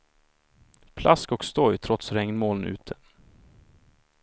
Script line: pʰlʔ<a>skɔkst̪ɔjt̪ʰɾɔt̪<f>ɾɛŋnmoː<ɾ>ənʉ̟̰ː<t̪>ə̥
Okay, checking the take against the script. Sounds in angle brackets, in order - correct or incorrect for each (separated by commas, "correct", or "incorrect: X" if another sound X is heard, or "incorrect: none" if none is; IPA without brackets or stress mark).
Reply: correct, incorrect: s, incorrect: l, incorrect: t̪ʰ